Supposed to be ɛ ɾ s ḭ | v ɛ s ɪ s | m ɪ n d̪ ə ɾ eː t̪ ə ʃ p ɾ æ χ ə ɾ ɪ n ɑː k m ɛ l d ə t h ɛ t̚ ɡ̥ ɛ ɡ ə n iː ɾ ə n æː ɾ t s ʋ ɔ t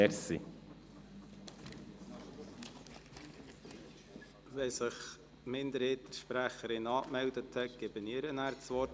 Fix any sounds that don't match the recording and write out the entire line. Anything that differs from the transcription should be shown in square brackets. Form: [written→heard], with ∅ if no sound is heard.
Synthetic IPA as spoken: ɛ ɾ s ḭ | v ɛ s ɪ [s→χ] | m ɪ n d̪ ə ɾ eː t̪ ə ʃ p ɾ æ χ ə ɾ ɪ n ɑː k m ɛ l d ə t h ɛ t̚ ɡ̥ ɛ [ɡ→b] ə n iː ɾ ə n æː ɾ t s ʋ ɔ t